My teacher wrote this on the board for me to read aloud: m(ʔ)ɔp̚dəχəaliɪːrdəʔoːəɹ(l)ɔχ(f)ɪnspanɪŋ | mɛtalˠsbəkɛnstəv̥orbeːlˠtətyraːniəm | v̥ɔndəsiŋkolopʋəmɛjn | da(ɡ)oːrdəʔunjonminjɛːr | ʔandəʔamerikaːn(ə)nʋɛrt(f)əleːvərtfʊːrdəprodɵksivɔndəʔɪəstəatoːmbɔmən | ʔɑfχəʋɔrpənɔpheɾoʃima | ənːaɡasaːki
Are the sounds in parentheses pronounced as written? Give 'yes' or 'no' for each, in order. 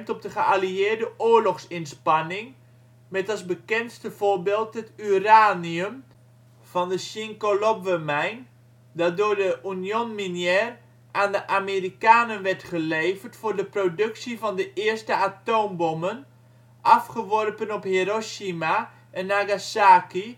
no, yes, no, no, yes, no

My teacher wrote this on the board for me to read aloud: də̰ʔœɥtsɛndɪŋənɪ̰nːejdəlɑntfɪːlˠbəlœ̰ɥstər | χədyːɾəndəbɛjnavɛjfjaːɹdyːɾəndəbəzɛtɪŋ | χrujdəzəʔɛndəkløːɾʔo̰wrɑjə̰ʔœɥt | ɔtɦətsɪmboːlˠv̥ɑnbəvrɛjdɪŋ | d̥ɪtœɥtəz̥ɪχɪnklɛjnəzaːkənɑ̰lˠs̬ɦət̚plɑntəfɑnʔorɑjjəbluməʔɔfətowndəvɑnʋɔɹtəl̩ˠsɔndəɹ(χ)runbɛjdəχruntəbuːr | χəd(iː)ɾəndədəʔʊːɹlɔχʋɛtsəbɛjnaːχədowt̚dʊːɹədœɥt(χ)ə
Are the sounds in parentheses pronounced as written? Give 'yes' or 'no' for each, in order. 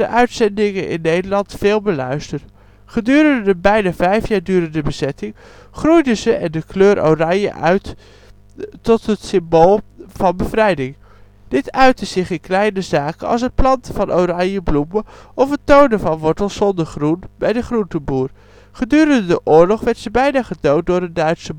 yes, no, no

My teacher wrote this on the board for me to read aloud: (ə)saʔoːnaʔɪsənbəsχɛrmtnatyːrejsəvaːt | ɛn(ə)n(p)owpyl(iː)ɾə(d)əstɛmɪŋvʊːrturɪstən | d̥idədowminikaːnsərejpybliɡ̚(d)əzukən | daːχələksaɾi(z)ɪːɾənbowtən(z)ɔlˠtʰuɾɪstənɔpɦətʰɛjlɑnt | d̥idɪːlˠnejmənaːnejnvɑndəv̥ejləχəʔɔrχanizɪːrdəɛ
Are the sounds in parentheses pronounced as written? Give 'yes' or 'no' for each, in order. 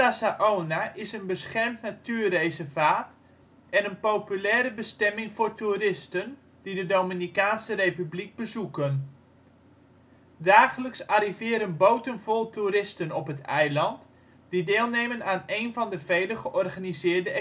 no, yes, yes, no, no, no, no, no

